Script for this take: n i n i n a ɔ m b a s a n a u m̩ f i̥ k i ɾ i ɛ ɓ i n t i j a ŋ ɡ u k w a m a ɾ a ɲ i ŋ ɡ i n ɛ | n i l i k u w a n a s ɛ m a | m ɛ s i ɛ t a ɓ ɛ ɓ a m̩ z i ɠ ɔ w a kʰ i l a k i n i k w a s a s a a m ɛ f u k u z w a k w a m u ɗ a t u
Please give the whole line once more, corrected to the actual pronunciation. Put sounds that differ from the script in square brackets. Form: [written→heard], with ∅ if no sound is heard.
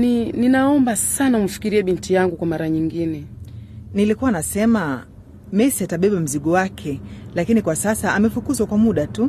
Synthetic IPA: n i n i n a ɔ m b a s a n a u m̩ f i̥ k i ɾ i ɛ ɓ i n t i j a ŋ ɡ u k w a m a ɾ a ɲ i ŋ ɡ i n ɛ | n i l i k u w a n a s ɛ m a | m ɛ s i [ɛ→a] t a ɓ ɛ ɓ a m̩ z i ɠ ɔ w a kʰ [i→ɛ] l a k i n i k w a s a s a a m ɛ f u k u z w a k w a m u ɗ a t u